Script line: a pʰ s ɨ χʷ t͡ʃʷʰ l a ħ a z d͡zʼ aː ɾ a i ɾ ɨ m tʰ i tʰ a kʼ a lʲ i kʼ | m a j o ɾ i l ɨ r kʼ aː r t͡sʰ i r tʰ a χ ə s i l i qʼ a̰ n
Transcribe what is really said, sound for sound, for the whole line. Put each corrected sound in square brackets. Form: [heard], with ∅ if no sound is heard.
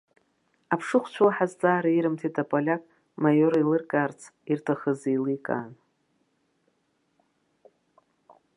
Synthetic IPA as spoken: a pʰ [ʂ] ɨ χʷ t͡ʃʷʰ l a ħ a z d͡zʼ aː ɾ a i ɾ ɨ m tʰ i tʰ a [pʼ] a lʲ [a] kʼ | m a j o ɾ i l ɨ r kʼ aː r t͡sʰ i r tʰ a χ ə [z] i l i [kʼ] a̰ n